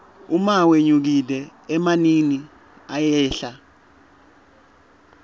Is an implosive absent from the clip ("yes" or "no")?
yes